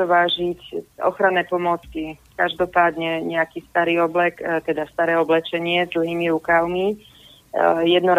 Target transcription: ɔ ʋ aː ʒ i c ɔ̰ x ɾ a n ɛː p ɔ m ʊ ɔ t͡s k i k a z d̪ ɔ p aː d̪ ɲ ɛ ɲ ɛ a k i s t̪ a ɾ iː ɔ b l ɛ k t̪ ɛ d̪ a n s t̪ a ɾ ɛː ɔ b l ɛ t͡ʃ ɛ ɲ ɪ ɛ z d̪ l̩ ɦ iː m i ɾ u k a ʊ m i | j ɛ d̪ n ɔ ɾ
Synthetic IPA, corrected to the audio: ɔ ʋ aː ʒ i c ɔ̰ x ɾ a n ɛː p ɔ m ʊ ɔ t͡s k i k a ʒ d̪ ɔ p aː d̪ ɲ ɛ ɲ ɛ a k i s t̪ a ɾ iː ɔ b l ɛ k t̪ ɛ d̪ a s t̪ a ɾ ɛː ɔ b l ɛ t͡ʃ ɛ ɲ ɪ ɛ z d̪ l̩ ɦ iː m i ɾ u k a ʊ m i | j ɛ d̪ n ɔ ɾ